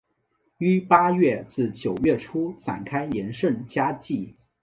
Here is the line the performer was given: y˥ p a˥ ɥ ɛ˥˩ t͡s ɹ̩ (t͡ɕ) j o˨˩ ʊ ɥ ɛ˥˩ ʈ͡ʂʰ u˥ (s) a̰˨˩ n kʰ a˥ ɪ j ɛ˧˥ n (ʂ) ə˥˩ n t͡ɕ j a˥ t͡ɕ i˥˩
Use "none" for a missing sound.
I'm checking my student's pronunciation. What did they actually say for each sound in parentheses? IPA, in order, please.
t͡ɕ, s, ʂ

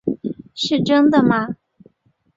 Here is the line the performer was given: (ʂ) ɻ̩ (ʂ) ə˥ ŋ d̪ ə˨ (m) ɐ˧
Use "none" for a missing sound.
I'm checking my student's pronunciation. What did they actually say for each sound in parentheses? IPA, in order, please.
ʂ, ʈ͡ʂ, m

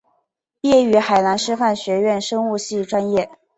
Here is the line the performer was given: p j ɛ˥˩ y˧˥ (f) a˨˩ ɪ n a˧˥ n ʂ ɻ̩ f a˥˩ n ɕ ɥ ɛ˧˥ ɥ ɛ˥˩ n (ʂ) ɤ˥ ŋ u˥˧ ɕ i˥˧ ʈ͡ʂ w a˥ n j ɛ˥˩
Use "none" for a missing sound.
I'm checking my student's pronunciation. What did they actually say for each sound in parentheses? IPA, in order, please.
x, ʂ

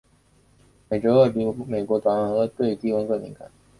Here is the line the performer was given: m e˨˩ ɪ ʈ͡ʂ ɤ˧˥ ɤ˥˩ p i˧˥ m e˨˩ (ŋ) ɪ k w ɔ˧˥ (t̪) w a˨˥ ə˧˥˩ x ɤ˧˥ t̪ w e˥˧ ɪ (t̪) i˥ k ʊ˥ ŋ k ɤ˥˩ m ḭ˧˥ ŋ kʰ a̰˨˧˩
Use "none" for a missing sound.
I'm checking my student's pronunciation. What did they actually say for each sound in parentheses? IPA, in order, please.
none, t̪, t̪

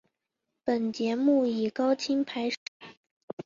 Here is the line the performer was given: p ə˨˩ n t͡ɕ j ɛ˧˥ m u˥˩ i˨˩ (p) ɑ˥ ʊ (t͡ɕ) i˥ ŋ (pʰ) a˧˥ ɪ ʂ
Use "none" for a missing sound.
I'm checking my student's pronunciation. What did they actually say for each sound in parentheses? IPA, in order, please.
k, t͡ɕʰ, pʰ

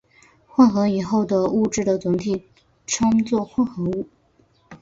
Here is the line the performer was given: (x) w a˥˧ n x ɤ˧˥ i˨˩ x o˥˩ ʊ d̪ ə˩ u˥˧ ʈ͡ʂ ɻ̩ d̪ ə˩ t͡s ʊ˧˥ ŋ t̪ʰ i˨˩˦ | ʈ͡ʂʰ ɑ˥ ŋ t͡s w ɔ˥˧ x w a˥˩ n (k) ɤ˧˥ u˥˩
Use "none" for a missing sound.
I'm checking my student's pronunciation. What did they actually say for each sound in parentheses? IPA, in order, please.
x, x

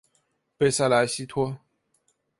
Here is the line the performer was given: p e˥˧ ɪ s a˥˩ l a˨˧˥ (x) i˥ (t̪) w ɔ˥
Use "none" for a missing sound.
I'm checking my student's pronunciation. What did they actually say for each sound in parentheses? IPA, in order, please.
ɕ, t̪ʰ

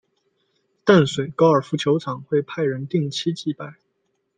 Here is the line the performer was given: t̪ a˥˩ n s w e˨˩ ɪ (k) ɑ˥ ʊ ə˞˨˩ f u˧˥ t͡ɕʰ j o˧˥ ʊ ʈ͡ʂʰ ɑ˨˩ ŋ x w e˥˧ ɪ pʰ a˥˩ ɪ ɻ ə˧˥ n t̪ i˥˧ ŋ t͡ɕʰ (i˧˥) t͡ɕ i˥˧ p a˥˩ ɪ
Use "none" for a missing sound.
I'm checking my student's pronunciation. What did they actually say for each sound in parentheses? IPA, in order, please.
k, i˥

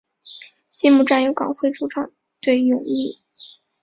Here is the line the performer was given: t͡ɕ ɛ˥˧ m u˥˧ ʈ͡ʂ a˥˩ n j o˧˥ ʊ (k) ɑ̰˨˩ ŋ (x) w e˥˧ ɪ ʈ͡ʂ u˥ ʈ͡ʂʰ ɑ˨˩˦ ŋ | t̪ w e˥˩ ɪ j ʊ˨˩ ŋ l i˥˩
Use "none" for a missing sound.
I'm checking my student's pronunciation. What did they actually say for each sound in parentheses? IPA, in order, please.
k, x

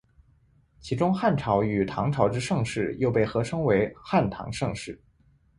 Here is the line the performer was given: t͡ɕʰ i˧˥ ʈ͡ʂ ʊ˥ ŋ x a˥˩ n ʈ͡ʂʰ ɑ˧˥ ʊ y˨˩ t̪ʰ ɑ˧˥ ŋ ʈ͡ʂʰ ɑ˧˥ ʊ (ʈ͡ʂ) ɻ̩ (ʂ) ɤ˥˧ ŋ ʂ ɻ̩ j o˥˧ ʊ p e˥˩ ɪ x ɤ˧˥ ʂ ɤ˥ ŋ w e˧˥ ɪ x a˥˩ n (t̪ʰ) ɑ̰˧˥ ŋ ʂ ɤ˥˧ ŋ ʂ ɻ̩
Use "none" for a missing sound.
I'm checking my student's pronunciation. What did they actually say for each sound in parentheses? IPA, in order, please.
ʈ͡ʂ, ʂ, t̪ʰ

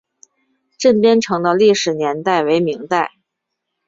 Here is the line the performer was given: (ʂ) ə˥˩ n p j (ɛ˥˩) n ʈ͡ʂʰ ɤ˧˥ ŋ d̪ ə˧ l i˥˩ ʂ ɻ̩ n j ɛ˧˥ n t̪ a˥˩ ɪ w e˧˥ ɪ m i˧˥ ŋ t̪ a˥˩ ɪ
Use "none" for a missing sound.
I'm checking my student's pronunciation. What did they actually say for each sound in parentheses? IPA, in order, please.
ʈ͡ʂ, ɛ˥

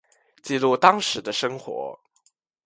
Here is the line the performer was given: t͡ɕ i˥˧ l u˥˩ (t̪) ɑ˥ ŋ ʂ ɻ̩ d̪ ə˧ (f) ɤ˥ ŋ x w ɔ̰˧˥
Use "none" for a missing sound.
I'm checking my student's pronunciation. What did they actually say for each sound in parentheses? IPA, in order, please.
t̪, ʂ

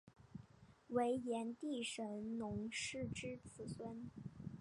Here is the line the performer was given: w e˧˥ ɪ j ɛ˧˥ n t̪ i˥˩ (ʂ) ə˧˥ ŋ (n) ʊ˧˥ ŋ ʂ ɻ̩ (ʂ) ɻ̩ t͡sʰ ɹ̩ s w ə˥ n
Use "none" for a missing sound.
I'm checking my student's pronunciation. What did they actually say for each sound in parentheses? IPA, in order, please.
ʂ, n, ʈ͡ʂ

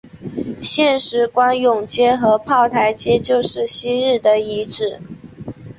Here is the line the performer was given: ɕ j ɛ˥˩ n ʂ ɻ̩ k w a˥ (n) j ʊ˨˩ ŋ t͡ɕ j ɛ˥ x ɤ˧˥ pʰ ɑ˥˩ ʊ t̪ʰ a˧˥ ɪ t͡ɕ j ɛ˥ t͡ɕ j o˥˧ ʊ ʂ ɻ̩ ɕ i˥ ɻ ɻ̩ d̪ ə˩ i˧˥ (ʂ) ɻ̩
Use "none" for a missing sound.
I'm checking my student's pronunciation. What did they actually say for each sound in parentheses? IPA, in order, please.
n, ʈ͡ʂ

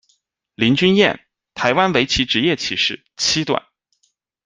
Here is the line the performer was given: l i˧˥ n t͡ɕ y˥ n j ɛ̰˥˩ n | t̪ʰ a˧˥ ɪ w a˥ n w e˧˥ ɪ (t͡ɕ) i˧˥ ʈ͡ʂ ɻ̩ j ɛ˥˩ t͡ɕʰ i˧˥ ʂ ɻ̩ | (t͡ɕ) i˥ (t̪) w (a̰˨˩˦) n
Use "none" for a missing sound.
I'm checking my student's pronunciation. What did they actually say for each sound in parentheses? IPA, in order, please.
t͡ɕʰ, t͡ɕʰ, t̪, a̰˨˩˦

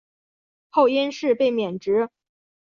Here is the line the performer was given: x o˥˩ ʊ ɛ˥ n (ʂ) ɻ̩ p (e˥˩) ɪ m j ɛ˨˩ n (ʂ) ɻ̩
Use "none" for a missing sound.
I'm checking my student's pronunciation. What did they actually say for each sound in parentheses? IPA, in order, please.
ʂ, e˥˩, ʈ͡ʂ

